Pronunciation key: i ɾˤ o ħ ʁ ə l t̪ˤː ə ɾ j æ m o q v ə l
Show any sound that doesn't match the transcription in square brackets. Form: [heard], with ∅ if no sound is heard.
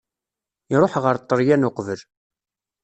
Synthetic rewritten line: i ɾˤ o ħ ʁ ə [ɾ] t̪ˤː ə ɾ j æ [n] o q v ə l

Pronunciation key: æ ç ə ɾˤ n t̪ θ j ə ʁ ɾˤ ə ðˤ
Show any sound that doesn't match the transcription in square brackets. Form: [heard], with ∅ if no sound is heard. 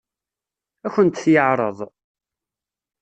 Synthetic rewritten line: æ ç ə [∅] n t̪ θ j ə [ʕ] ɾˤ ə ðˤ

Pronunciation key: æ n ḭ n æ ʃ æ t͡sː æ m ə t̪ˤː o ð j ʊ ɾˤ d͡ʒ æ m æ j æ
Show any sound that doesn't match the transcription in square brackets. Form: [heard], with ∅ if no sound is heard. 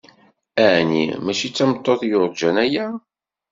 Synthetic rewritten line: æ n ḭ [m] æ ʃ [i] t͡sː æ m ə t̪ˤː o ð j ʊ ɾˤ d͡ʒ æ [n] æ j æ

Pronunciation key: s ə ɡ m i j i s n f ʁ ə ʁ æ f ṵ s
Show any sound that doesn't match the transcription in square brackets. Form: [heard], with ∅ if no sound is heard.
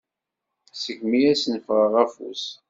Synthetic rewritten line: s ə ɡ m i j [æ] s n f ʁ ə ʁ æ f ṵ s

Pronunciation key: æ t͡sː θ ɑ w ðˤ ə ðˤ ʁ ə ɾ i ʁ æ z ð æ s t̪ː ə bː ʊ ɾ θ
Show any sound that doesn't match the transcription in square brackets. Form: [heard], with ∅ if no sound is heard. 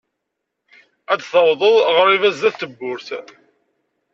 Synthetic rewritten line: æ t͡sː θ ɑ w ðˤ ə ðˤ ʁ ə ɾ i [v] æ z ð æ [θ] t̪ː ə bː ʊ ɾ θ

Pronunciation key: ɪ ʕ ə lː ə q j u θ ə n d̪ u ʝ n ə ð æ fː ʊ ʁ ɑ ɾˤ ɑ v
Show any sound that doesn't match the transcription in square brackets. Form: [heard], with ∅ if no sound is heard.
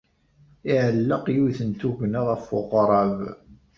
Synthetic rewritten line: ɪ ʕ ə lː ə q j u θ ə n [t̪] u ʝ n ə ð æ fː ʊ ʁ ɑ ɾˤ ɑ v

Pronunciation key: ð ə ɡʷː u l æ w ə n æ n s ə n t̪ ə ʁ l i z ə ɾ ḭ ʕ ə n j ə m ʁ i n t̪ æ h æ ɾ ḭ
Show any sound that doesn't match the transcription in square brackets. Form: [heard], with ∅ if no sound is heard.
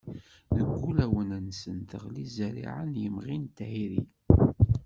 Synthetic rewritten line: ð ə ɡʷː u l æ w ə n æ n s ə n t̪ ə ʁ l i z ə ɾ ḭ ʕ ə n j ə m ʁ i n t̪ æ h [i] ɾ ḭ

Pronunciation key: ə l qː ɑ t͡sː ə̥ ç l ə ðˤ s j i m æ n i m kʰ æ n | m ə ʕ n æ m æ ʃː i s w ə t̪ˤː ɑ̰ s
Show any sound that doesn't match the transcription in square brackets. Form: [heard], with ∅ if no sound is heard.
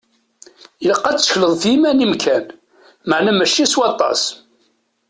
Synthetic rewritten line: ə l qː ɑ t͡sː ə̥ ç l ə ðˤ [θ] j i m æ n i m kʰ æ n | m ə ʕ n æ m æ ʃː i s w [ɑ] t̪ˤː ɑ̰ s

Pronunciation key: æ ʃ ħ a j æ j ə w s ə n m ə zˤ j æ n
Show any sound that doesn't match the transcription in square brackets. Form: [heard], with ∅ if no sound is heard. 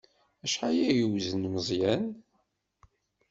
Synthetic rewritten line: æ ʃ ħ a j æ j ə w [z] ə n m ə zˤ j æ n

